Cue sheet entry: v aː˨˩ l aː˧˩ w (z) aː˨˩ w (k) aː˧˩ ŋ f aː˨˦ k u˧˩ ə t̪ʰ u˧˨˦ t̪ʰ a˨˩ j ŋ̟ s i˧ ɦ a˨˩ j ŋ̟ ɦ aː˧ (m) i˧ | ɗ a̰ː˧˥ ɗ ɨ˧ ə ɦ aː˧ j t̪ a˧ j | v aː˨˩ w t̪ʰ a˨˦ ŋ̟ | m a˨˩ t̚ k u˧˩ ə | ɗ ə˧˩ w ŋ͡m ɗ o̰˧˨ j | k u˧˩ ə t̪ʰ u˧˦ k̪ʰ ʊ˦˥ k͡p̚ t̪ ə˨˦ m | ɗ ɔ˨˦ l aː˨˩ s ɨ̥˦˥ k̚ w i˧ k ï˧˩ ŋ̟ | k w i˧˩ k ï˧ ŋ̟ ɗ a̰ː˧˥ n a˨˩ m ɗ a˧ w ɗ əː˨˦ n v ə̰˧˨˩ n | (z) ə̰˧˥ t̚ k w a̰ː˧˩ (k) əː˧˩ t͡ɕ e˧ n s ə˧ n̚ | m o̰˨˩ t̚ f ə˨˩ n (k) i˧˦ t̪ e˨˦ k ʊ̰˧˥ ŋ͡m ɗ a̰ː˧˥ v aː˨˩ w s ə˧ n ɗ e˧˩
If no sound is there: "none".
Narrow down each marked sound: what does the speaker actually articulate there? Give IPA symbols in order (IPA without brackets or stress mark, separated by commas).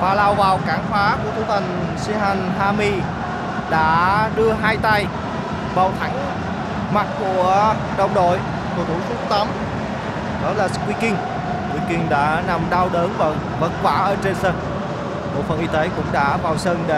v, k, m, v, ʔ, ʔ